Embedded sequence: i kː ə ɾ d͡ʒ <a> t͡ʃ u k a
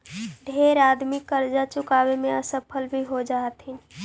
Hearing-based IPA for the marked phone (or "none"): a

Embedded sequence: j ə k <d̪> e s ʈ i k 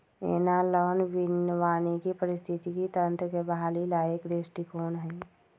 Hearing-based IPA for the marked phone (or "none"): d̪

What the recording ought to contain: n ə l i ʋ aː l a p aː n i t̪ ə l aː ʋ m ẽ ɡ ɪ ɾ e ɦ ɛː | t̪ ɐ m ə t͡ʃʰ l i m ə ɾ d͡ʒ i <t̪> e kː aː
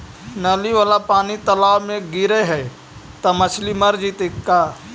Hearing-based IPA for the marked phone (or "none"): t̪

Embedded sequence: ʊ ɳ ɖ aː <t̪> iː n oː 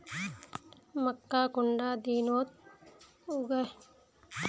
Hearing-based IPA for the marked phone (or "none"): d̪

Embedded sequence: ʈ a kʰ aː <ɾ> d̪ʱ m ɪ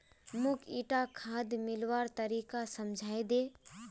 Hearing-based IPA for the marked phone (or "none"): none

